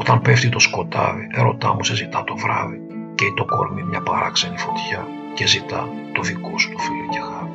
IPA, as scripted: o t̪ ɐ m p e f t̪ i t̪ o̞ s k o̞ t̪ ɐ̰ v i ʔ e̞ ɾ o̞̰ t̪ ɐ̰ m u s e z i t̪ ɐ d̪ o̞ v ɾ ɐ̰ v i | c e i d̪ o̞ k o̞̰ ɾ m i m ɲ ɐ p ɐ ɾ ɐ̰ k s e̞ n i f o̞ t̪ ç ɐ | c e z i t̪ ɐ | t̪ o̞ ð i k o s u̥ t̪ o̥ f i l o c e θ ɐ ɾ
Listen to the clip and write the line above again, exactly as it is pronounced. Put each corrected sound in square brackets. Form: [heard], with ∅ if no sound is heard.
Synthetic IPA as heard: o t̪ ɐ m p e f t̪ i t̪ o̞ s k o̞ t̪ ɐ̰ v i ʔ e̞ ɾ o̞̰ t̪ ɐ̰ m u s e z i t̪ ɐ [t̪] o̞ v ɾ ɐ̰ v i | c e i [t̪] o̞ k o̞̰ ɾ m i m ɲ ɐ p ɐ ɾ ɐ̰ k s e̞ n i f o̞ t̪ ç ɐ | c e z i t̪ ɐ | t̪ o̞ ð i k o s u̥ t̪ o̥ f i l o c e [x] ɐ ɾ